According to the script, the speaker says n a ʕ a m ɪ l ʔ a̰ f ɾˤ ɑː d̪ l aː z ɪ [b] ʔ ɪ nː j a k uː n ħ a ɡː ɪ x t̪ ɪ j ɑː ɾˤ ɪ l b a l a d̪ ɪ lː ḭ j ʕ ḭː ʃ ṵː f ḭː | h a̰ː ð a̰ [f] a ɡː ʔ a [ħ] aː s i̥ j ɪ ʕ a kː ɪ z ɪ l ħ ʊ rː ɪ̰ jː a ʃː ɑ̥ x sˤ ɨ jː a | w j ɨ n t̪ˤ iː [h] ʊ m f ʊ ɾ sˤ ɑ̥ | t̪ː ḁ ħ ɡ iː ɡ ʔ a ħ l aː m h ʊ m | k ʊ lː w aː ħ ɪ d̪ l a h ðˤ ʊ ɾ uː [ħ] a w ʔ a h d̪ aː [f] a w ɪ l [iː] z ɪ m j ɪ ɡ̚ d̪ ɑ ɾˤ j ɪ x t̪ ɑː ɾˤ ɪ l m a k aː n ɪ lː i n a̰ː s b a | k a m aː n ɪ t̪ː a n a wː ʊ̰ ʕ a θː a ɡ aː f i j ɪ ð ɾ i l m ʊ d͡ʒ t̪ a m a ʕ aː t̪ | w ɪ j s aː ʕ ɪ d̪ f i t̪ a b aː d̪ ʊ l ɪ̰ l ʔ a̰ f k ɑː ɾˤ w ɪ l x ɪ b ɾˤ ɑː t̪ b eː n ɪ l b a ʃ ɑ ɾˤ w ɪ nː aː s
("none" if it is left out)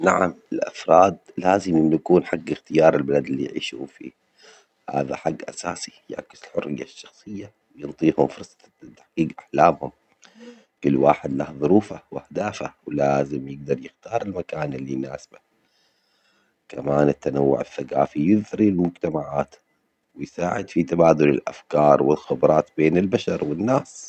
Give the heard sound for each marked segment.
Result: m, ħ, s, h, f, f, aː

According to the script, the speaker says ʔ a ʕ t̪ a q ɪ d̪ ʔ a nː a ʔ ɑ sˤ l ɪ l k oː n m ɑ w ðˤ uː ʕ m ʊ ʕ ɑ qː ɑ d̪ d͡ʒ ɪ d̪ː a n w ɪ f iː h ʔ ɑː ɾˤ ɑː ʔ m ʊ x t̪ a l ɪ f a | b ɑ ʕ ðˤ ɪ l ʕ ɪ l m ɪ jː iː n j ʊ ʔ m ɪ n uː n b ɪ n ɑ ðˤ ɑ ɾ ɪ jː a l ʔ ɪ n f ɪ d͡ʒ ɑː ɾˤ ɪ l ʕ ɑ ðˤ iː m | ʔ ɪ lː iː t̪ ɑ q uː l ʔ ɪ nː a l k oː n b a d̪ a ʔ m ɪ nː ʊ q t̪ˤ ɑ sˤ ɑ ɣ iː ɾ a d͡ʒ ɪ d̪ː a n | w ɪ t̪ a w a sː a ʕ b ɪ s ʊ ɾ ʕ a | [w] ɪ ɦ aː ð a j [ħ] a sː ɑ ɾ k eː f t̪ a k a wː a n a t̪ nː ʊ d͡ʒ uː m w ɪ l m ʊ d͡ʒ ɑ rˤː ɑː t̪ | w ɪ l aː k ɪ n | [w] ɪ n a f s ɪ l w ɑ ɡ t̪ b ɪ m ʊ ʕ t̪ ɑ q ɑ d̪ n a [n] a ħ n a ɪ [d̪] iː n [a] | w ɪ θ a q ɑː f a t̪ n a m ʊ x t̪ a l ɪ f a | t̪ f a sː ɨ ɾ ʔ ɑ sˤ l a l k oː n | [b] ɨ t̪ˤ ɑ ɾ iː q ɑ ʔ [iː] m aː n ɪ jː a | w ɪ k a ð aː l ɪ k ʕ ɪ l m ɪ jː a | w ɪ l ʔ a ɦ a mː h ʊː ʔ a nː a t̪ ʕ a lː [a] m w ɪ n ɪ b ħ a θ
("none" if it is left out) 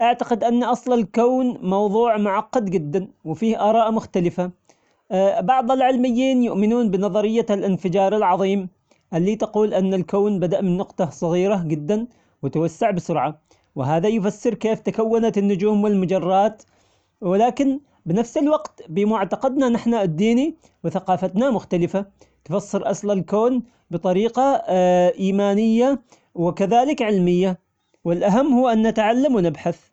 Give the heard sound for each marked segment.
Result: w, f, b, n, d̪ː, i, b, iː, a

